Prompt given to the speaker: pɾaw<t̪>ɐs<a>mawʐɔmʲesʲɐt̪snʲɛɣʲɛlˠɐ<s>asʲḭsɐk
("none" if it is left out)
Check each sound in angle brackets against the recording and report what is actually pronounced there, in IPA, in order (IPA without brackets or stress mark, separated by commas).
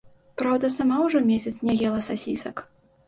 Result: d̪, a, s